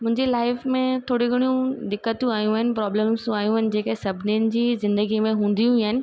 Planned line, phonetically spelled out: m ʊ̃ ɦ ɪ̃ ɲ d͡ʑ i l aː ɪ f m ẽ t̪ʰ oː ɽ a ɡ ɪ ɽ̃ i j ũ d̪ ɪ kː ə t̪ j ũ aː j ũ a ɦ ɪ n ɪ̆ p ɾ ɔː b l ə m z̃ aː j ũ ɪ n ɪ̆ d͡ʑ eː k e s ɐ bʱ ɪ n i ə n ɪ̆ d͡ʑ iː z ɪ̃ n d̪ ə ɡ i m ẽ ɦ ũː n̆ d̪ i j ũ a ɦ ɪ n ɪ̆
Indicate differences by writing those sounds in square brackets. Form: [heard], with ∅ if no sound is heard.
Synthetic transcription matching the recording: m ʊ̃ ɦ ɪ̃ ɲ d͡ʑ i l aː ɪ f m ẽ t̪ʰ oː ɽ [i] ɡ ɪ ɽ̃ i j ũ d̪ ɪ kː ə t̪ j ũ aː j ũ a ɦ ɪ n ɪ̆ p ɾ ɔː b l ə m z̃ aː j ũ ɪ n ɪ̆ d͡ʑ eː k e s ɐ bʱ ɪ n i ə n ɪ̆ d͡ʑ iː z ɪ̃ n d̪ ə ɡ i m ẽ ɦ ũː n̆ d̪ i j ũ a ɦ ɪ n ɪ̆